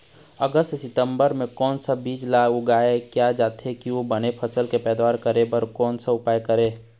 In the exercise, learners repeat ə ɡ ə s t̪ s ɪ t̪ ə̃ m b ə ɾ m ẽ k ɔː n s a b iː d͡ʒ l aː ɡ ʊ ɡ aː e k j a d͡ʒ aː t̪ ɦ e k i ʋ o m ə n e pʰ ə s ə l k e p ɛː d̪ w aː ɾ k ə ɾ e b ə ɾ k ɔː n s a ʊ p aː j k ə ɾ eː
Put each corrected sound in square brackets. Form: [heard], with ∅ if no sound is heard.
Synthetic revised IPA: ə ɡ ə s t̪ s ɪ t̪ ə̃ m b ə ɾ m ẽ k ɔː n s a b iː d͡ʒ l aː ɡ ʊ ɡ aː e k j a d͡ʒ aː t̪ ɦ e k i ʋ o [b] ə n e pʰ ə s ə l k e p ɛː d̪ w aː ɾ k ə ɾ e b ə ɾ k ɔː n s a ʊ p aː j k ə ɾ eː